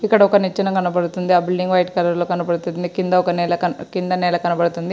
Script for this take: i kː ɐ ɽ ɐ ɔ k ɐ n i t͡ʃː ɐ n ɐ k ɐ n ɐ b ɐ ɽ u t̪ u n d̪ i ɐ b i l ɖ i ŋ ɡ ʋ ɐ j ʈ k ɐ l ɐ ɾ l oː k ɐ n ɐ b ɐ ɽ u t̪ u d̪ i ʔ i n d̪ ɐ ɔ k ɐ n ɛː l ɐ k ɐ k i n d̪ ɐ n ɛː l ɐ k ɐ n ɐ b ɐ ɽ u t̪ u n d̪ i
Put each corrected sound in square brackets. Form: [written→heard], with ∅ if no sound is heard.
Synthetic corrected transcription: i kː ɐ ɽ ɐ ɔ k ɐ n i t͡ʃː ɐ n ɐ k ɐ n ɐ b ɐ ɽ u t̪ u n d̪ i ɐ b i l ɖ i ŋ ɡ ʋ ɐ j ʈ k ɐ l ɐ ɾ l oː k ɐ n ɐ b ɐ ɽ u t̪ u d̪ i [ʔ→k] i n d̪ ɐ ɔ k ɐ n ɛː l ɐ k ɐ k i n d̪ ɐ n ɛː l ɐ k ɐ n ɐ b ɐ ɽ u t̪ u n d̪ i